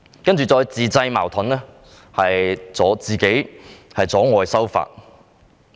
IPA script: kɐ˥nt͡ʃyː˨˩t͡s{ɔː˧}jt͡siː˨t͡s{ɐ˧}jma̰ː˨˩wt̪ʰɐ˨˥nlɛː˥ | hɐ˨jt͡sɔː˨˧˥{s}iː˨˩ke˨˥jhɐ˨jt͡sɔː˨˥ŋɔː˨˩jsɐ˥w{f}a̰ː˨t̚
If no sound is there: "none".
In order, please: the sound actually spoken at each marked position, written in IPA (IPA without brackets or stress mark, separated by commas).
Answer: ɔː˧, ɐ˧, t͡s, f